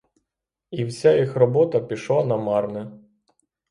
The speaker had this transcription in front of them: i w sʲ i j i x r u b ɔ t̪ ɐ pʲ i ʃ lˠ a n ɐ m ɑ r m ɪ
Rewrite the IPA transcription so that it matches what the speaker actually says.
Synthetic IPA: i w sʲ a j i x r ɔ b ɔ t̪ ɐ pʲ i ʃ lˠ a n ɐ m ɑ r n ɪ